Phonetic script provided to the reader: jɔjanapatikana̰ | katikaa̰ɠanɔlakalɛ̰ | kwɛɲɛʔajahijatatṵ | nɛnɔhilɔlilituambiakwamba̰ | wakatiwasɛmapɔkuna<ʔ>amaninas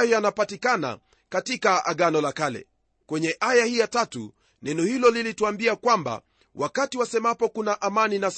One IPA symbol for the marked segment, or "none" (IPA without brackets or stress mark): ʔ